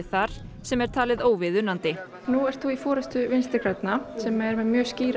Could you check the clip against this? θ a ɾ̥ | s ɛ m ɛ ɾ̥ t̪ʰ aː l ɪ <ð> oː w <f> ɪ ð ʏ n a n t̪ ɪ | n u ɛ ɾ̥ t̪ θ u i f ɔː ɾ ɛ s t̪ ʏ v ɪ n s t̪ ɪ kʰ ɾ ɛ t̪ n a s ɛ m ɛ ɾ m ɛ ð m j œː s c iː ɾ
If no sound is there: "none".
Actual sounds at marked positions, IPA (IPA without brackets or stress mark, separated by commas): ð, v